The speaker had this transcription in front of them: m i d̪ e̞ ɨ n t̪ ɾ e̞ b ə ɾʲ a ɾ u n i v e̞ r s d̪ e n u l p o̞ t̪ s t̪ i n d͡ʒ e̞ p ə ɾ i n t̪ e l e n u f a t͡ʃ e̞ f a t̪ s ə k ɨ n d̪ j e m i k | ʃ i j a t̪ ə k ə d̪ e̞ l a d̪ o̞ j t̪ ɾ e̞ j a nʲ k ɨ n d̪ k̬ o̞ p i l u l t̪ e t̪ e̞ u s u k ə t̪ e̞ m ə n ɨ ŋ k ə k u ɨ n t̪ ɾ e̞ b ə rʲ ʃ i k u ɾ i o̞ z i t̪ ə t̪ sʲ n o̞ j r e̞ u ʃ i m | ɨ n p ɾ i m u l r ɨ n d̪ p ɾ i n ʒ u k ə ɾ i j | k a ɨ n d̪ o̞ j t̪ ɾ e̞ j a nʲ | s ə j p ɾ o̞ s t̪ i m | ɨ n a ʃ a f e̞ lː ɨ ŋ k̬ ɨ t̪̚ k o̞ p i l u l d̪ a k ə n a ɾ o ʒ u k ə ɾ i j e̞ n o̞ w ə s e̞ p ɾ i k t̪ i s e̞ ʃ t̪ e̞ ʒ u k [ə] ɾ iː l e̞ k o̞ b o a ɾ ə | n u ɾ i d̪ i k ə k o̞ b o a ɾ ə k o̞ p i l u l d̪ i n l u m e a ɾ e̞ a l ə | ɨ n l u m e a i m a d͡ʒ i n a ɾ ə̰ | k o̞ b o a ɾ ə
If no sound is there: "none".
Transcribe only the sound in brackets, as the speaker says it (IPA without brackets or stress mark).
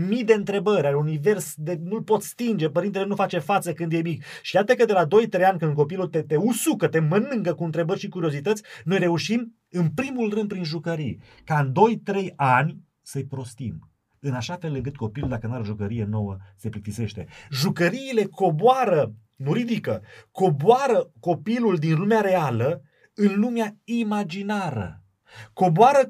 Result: ə